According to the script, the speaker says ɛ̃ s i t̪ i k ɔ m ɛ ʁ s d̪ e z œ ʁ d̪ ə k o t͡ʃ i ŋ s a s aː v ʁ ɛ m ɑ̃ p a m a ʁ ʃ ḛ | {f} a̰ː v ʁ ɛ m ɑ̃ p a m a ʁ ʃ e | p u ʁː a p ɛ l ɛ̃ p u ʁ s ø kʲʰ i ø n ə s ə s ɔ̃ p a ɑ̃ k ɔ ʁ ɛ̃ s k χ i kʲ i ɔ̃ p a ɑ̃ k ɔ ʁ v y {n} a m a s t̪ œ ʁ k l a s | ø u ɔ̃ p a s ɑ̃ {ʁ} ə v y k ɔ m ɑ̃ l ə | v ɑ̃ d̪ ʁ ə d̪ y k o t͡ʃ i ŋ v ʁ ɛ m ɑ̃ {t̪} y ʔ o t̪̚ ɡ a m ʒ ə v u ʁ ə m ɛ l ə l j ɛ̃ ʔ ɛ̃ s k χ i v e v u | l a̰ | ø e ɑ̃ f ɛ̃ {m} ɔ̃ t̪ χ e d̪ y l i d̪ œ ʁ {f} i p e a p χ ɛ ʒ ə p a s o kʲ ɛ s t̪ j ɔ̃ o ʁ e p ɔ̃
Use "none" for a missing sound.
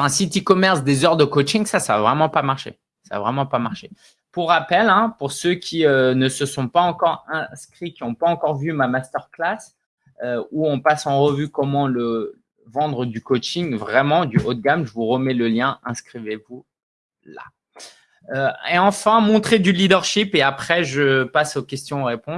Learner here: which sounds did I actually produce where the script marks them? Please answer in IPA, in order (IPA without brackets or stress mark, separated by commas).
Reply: s, m, ʁ, d̪, m, ʃ